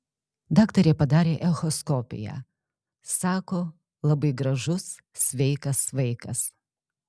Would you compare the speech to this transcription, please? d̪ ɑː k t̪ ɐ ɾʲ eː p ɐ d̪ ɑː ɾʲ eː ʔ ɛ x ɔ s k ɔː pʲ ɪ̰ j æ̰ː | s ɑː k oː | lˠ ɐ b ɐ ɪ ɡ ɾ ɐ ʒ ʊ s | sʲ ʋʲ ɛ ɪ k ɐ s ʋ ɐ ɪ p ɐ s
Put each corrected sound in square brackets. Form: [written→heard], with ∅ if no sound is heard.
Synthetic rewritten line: d̪ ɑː k t̪ ɐ ɾʲ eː p ɐ d̪ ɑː ɾʲ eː ʔ ɛ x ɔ s k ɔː pʲ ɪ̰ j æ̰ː | s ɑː k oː | lˠ ɐ b ɐ ɪ ɡ ɾ ɐ ʒ ʊ s | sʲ ʋʲ ɛ ɪ k ɐ s ʋ ɐ ɪ [p→k] ɐ s